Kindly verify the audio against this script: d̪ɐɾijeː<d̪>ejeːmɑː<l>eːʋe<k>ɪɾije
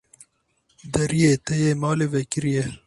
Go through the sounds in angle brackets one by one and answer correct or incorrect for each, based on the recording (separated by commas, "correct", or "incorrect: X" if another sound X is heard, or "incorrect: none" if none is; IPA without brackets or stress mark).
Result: incorrect: t̪, correct, correct